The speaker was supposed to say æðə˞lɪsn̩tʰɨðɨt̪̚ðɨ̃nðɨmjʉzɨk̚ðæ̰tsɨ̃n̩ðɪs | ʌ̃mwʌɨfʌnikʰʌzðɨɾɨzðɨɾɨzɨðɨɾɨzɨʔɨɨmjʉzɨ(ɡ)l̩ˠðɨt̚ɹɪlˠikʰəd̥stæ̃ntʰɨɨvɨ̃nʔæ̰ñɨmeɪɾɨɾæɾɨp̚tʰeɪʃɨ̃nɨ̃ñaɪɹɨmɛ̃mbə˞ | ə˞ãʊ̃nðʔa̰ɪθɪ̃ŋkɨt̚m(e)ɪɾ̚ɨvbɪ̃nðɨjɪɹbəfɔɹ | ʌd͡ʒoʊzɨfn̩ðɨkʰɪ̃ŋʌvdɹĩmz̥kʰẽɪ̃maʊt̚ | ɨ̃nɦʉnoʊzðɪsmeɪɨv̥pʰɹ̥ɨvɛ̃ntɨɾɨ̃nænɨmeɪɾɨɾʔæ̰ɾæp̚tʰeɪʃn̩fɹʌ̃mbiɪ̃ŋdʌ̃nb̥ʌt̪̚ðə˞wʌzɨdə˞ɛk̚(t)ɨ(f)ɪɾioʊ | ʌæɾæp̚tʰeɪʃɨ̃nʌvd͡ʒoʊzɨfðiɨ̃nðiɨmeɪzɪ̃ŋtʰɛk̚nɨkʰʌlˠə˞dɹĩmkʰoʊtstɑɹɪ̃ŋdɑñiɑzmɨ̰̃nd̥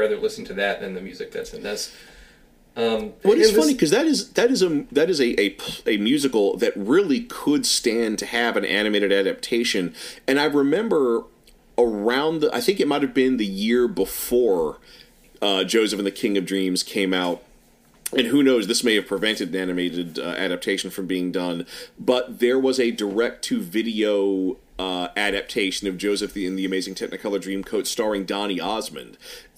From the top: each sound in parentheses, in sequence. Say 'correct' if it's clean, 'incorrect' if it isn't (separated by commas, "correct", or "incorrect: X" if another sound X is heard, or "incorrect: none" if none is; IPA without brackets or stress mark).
incorrect: k, incorrect: a, incorrect: tʰ, incorrect: v